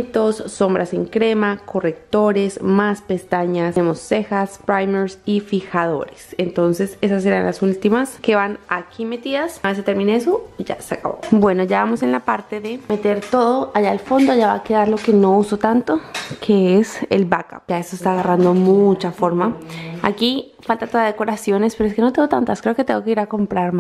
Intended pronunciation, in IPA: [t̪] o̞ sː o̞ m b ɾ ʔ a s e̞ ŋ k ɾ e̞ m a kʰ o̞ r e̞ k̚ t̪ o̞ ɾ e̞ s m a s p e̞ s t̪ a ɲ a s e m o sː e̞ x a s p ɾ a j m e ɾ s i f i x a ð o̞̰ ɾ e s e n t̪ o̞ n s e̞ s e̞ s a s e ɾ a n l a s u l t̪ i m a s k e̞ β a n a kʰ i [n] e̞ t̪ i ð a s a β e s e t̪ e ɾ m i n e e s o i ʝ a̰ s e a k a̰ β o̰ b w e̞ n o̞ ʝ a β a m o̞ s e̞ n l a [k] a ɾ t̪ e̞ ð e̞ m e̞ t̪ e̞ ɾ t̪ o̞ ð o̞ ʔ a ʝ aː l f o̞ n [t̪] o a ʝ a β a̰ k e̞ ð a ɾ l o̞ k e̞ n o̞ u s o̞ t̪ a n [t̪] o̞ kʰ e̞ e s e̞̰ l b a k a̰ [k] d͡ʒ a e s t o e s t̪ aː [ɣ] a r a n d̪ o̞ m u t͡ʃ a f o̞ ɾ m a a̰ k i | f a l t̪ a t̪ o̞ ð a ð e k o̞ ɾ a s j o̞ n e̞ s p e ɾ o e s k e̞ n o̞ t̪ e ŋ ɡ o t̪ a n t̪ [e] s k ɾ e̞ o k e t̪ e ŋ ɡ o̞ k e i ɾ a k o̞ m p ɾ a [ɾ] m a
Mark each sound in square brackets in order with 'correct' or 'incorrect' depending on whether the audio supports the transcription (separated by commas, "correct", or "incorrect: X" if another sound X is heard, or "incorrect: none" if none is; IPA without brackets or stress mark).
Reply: correct, incorrect: m, incorrect: p, incorrect: d̪, correct, incorrect: p, correct, incorrect: a, correct